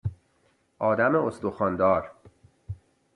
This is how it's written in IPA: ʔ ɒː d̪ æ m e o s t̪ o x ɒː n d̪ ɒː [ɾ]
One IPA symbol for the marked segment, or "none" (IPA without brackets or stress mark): ɾ